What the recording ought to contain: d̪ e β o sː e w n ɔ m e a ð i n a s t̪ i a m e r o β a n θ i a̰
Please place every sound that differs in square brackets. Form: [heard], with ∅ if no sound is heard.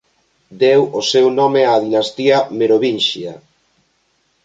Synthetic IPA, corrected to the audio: d̪ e [w] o [s] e w n ɔ m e a ð i n a s t̪ i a m e [ɾ] o β [i] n [ʃ] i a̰